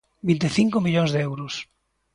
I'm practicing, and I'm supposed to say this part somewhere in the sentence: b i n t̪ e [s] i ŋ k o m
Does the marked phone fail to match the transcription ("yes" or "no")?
yes